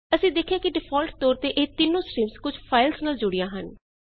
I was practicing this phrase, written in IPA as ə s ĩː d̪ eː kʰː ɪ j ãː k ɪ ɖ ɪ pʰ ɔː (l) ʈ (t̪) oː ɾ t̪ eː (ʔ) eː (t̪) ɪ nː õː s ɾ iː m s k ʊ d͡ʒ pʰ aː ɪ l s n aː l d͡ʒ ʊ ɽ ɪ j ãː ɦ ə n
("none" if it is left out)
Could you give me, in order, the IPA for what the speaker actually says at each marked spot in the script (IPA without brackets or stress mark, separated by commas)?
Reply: l, t̪, ʔ, t̪